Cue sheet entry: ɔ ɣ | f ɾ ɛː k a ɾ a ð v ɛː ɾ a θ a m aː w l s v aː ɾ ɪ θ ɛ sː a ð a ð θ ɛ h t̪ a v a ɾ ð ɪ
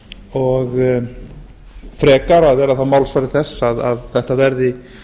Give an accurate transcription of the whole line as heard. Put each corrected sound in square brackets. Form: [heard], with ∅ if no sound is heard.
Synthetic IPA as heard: ɔ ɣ | f ɾ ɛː k a ɾ a ð v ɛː ɾ a θ a m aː w l s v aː ɾ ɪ θ ɛ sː a ð a ð θ ɛ h t̪ a v [ɛ] ɾ ð ɪ

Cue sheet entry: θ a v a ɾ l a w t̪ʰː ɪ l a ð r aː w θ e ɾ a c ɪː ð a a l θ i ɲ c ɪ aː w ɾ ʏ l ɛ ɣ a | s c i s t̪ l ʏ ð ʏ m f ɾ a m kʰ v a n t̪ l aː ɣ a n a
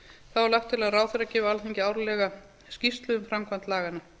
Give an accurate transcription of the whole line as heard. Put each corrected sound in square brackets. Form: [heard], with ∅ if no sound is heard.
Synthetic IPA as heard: θ a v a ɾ l a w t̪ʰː ɪ l a ð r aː w θ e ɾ a c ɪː [v] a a l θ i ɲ c ɪ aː w ɾ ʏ l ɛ ɣ a | s c i s t̪ l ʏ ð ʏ m f ɾ a m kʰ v a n t̪ l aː ɣ a n a

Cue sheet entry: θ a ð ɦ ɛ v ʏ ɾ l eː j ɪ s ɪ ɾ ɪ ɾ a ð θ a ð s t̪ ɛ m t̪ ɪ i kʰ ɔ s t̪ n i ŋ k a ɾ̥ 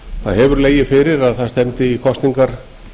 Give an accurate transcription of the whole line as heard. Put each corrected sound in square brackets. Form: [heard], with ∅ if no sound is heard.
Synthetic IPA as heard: θ a ð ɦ ɛ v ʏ ɾ l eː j ɪ [f] ɪ ɾ ɪ ɾ a ð θ a ð s t̪ ɛ m t̪ ɪ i kʰ ɔ s t̪ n i ŋ k a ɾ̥

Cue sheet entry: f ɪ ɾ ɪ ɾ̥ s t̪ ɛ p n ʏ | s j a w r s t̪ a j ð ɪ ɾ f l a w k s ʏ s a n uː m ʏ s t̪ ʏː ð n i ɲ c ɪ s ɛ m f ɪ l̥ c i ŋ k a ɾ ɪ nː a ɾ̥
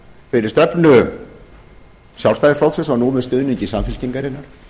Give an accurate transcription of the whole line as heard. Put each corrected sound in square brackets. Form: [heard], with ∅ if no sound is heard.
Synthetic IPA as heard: f ɪ ɾ ɪ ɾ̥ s t̪ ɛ p n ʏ | s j a w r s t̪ a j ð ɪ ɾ f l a w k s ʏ s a n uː m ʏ s t̪ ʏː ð n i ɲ c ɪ s [a] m f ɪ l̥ c i ŋ k a ɾ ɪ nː a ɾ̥

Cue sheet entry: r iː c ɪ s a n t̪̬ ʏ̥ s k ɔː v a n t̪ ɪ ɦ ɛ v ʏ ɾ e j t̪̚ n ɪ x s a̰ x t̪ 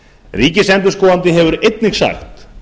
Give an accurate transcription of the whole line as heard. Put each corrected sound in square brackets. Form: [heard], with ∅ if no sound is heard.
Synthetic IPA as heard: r iː c ɪ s [ɛ] n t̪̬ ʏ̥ s k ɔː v a n t̪ ɪ ɦ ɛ v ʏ ɾ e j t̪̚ n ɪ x s a̰ x t̪

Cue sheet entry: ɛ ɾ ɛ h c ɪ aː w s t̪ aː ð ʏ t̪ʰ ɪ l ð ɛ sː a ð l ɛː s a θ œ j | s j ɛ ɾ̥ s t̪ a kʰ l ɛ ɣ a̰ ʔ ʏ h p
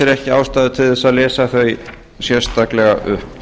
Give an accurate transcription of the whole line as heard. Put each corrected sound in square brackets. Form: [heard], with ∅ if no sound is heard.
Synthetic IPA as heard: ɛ ɾ ɛ h c ɪ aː w s t̪ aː ð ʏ t̪ʰ ɪ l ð ɛ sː a ð l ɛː s a θ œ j | s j ɛ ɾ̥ s t̪ a [k] l ɛ ɣ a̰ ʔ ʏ h p

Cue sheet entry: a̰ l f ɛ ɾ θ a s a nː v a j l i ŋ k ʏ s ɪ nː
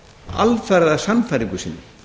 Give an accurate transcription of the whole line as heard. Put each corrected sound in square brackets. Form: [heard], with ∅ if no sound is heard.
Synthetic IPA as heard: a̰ l f ɛ ɾ [ð] a s a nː [f] a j [ɾ] i ŋ k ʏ s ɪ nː

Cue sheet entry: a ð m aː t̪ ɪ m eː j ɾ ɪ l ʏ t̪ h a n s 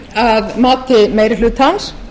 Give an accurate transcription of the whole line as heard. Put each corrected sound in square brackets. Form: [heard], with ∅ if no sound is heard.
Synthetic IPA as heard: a ð m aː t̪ ɪ m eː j ɾ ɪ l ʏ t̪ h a n s

